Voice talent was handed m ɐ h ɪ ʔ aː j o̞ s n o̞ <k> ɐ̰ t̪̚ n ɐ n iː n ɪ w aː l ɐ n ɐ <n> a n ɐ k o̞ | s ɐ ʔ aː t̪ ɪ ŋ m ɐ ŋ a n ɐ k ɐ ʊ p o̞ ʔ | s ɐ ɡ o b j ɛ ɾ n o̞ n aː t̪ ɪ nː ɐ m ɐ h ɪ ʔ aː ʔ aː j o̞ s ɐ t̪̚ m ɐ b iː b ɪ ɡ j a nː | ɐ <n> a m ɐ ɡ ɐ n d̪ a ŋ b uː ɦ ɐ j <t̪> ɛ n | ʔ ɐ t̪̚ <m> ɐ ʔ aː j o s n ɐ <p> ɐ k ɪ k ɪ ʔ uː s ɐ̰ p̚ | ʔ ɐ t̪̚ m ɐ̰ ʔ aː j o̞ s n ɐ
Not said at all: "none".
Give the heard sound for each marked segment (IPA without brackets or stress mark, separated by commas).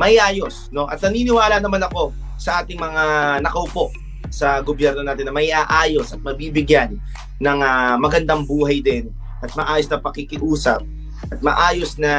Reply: ʔ, m, ŋ, d̪, m, p